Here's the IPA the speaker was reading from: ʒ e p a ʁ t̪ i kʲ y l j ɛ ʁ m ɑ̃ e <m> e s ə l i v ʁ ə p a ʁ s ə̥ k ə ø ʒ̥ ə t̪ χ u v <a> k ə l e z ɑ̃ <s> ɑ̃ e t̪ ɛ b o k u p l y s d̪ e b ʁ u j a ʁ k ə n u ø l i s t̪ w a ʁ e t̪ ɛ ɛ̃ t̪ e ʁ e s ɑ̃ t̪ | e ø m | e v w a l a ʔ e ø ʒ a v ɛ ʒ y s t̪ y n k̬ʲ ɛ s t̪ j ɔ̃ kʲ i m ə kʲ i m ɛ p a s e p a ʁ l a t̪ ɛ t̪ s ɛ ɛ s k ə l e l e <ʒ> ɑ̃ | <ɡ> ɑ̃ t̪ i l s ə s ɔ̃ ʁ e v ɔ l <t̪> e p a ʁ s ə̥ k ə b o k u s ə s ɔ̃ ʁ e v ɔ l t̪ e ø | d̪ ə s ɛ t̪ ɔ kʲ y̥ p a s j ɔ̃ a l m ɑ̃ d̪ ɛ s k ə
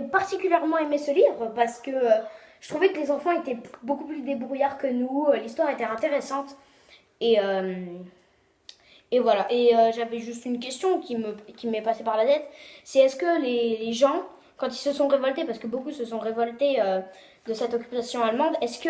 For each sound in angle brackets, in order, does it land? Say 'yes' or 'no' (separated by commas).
yes, no, no, yes, no, yes